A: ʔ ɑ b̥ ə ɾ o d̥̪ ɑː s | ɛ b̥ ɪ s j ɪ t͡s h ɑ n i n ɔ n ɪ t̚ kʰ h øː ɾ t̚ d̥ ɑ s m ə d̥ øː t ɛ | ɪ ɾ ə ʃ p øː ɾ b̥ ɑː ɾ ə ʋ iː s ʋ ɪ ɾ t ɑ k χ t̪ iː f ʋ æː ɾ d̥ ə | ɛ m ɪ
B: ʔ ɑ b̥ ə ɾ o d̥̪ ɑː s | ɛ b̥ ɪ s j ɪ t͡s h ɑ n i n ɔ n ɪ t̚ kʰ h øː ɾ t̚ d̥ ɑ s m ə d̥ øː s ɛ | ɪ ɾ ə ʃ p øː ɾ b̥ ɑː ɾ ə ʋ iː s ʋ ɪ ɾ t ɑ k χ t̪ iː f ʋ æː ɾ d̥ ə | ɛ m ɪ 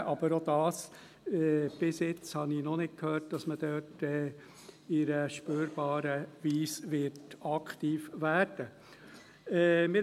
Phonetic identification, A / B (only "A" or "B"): A